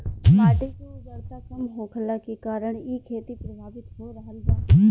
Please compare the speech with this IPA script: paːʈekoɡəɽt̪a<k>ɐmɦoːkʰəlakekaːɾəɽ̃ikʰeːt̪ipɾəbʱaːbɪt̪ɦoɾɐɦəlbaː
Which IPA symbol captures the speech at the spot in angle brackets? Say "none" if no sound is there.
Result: k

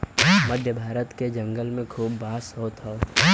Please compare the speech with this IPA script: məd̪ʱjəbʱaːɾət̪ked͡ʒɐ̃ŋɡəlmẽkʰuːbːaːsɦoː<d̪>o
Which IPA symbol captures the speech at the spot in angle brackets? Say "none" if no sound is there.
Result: t̪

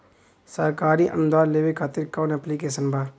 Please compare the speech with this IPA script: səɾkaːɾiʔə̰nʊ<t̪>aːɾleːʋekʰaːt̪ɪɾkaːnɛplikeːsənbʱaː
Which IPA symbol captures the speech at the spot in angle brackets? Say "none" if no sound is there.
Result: d̪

